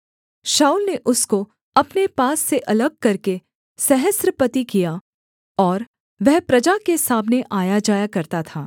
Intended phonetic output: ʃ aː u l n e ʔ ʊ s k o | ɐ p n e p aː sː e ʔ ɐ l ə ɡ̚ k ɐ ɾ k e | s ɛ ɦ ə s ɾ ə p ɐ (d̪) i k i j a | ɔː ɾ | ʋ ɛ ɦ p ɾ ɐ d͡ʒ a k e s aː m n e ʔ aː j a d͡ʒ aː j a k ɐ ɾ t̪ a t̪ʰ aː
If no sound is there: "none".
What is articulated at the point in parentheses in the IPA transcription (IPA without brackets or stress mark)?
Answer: t̪